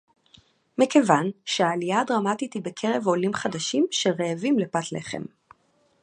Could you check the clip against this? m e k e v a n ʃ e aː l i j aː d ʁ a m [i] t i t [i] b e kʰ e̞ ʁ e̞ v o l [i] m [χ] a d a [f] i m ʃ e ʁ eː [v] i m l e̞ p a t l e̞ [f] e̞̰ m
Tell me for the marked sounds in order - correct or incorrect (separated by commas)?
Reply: incorrect, correct, correct, correct, incorrect, correct, incorrect